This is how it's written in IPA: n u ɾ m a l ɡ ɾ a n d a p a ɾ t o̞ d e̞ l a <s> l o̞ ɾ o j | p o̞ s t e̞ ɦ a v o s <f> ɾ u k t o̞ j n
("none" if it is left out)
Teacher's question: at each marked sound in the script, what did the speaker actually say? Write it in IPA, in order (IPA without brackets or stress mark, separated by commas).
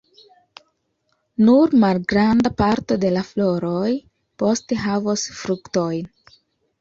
f, f